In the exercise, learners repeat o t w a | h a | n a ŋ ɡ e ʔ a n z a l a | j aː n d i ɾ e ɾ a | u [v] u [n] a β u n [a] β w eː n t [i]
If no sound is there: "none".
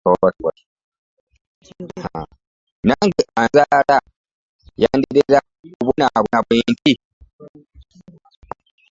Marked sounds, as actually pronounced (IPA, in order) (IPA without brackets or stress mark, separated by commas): β, n, a, i